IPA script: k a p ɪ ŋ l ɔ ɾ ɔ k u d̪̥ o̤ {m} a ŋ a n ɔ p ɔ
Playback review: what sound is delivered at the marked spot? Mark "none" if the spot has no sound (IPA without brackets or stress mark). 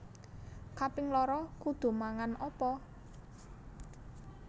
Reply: m